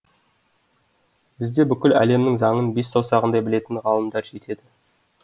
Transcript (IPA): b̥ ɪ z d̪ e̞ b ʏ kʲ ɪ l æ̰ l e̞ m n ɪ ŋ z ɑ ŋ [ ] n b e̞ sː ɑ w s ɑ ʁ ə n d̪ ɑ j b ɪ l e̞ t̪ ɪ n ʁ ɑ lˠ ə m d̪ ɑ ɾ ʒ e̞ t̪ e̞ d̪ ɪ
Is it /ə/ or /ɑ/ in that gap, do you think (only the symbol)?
ə